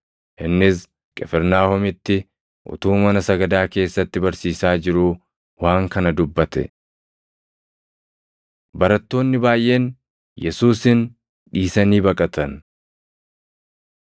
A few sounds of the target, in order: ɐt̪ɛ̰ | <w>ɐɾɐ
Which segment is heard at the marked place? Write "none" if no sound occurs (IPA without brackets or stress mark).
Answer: b